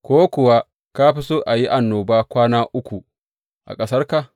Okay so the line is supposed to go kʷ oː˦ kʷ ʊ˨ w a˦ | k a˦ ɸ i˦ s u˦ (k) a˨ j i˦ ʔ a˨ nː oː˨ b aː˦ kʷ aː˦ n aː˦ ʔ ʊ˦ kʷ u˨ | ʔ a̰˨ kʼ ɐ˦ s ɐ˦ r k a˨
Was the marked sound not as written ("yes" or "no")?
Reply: yes